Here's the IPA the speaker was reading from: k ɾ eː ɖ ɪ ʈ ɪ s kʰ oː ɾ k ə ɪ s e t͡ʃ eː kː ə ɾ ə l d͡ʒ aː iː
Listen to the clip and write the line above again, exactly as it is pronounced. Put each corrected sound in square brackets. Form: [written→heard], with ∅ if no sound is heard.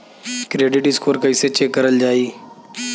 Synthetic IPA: k ɾ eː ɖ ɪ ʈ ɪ s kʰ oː ɾ k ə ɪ s e t͡ʃ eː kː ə ɾ ə l d͡ʒ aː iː